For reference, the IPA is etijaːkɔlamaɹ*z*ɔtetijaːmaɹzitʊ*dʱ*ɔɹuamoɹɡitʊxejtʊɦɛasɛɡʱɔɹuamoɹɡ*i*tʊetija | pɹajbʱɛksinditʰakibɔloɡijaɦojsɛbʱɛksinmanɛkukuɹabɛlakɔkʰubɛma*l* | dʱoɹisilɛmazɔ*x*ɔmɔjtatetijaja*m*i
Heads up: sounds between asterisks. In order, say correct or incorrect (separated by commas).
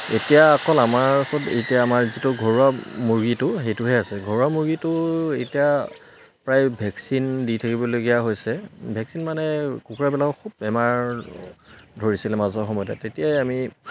incorrect, incorrect, correct, incorrect, correct, correct